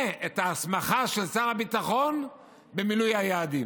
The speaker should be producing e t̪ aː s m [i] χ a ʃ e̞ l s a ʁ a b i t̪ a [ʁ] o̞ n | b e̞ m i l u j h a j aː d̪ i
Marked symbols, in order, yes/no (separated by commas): no, no